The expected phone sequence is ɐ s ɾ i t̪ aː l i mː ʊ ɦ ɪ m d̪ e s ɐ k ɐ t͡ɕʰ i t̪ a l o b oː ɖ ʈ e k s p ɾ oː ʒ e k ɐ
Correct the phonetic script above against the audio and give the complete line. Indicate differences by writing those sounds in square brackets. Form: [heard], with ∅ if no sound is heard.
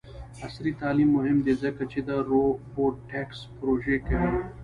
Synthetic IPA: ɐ s ɾ i t̪ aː l i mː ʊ ɦ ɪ m d̪ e [z] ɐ k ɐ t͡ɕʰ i [d̪] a [ɾ] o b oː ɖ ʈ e k s p ɾ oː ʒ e k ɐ